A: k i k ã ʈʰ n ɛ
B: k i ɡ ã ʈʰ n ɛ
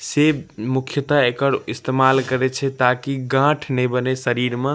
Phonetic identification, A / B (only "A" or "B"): B